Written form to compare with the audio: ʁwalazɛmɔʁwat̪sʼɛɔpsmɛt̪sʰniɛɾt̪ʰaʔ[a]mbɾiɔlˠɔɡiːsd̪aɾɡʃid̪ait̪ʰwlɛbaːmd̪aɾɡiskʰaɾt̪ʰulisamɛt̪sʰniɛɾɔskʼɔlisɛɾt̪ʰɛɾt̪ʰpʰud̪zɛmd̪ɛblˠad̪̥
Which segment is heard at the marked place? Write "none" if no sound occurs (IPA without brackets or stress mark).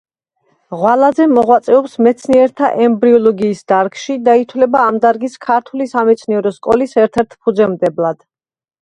ɛ